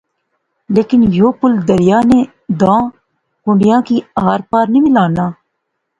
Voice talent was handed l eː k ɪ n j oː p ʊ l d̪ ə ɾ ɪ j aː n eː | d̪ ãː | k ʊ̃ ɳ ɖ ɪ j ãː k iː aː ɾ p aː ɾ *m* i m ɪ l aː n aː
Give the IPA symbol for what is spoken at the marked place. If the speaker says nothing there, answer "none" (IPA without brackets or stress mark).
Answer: n